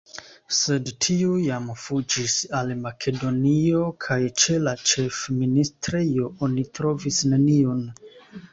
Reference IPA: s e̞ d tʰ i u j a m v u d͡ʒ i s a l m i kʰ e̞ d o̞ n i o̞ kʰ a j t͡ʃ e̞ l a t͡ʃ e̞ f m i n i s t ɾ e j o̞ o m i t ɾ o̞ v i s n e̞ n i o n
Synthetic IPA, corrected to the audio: s e̞ d tʰ i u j a m f u d͡ʒ i s a l m a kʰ e̞ d o̞ n i o̞ kʰ a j t͡ʃ e̞ l a t͡ʃ e̞ f m i n i s t ɾ e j o̞ o n i t ɾ o̞ v i s n e̞ n i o n